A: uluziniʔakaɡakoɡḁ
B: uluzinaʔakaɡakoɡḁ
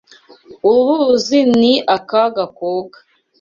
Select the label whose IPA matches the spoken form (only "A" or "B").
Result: A